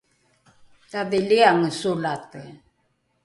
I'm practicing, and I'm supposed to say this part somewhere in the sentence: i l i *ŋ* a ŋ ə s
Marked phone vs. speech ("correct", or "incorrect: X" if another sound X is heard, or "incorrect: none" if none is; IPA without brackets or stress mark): incorrect: none